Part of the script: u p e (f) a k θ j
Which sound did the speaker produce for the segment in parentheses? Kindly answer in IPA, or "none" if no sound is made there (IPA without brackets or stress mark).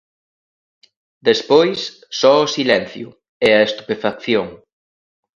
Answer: f